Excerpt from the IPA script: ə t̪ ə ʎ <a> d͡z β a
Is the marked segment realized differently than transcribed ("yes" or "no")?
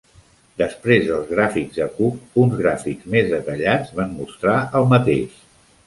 no